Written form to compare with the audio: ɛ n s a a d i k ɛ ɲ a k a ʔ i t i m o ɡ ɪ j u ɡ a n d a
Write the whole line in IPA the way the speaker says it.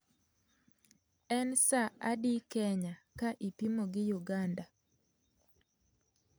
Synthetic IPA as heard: ɛ n s a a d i k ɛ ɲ a k a ʔ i p i m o ɡ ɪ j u ɡ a n d a